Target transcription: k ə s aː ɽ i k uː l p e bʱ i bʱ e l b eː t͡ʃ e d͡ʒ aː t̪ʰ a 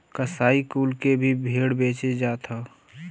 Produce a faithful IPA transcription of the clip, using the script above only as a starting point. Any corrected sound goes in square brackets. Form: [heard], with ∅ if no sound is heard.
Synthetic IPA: k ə s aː [∅] i k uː l [k] e bʱ i bʱ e [ɽ] b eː t͡ʃ e d͡ʒ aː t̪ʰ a